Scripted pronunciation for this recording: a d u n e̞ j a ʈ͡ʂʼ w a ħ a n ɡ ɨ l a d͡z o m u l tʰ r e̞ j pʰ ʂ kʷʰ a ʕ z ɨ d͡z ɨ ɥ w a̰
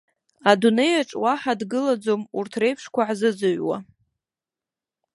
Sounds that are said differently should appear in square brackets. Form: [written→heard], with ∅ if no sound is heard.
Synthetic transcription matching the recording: a d u n e̞ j a ʈ͡ʂʼ w a ħ a [n→d] ɡ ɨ l a d͡z o m u [l→r] tʰ r e̞ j pʰ ʂ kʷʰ a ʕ z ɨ d͡z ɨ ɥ w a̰